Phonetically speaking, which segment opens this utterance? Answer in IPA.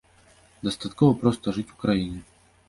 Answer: d̪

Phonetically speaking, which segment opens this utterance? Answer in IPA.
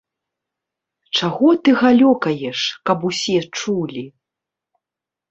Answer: t͡ʂ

